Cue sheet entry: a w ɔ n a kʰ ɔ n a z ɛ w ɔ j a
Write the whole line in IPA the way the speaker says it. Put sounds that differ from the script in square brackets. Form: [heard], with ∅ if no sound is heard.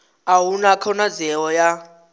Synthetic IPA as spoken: a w [u] n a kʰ ɔ n a z ɛ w ɔ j a